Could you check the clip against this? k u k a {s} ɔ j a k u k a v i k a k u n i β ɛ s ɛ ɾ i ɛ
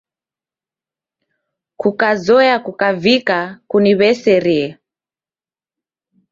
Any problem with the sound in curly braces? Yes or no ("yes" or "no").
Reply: yes